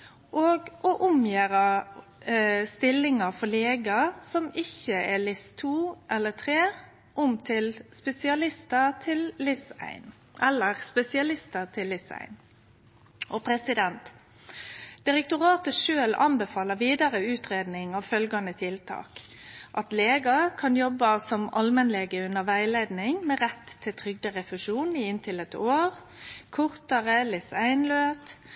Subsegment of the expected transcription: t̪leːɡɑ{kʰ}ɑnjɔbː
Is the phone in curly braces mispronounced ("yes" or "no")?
no